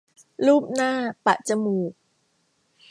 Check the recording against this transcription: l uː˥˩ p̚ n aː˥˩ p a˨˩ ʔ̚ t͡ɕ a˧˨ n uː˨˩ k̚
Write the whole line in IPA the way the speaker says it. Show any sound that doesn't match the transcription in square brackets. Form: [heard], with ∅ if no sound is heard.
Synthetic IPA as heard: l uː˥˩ p̚ n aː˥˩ p a˨˩ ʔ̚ t͡ɕ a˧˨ [m] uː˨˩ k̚